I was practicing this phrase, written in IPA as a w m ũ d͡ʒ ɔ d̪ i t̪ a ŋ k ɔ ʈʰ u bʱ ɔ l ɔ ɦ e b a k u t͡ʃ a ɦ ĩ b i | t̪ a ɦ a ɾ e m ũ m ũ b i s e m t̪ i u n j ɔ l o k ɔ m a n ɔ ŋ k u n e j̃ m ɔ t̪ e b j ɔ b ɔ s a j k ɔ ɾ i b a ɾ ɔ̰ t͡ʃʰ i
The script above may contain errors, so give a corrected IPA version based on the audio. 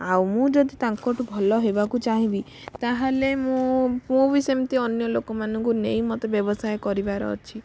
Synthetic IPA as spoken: a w m ũ d͡ʒ ɔ d̪ i t̪ a ŋ k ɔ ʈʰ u bʱ ɔ l ɔ ɦ e b a k u t͡ʃ a ɦ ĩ b i | t̪ a ɦ a l e m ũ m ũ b i s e m t̪ i ɔ n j ɔ l o k ɔ m a n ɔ ŋ k u n e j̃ m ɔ t̪ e b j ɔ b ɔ s a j k ɔ ɾ i b a ɾ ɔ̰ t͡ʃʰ i